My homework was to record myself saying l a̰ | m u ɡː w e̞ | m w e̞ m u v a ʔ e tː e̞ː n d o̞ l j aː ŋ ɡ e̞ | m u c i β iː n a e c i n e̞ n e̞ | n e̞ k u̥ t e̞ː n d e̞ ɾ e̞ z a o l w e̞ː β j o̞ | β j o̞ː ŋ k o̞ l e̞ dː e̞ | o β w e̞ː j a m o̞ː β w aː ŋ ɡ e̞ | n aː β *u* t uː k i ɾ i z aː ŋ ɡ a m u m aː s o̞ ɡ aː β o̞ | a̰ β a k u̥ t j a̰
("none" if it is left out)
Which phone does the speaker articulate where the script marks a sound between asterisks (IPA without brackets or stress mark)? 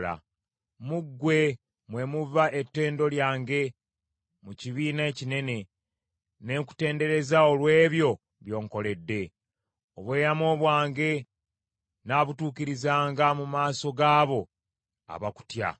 u